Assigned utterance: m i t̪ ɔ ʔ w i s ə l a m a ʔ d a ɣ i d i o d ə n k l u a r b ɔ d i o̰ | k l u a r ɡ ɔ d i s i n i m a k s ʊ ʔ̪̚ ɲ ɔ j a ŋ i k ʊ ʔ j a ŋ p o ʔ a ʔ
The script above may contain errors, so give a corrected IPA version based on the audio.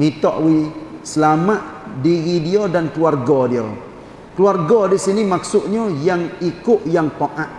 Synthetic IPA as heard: m i t̪ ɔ ʔ w i s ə l a m a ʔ d i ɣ i d i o d a n k l u a r ɡ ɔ d i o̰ | k l u a r ɡ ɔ d i s i n i m a k s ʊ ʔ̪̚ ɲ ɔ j a ŋ i k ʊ ʔ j a ŋ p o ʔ a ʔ